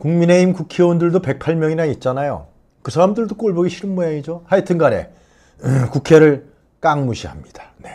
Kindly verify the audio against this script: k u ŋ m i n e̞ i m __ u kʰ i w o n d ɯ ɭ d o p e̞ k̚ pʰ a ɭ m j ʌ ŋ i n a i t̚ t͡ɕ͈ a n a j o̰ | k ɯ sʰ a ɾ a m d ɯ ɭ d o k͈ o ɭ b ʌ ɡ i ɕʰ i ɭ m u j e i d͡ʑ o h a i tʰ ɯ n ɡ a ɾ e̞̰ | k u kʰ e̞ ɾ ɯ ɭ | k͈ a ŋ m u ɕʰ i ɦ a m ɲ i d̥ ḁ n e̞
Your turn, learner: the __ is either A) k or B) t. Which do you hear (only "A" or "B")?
A